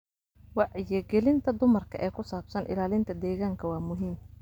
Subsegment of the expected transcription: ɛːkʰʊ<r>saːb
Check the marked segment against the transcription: incorrect: none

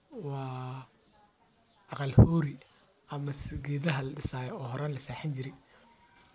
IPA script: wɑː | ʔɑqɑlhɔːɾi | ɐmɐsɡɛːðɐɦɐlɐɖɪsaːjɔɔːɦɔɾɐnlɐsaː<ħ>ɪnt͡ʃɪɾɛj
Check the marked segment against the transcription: correct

